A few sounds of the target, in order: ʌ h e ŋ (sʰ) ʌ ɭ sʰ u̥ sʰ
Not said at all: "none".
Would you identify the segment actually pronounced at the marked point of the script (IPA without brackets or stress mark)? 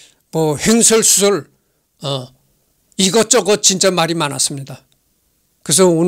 sʰ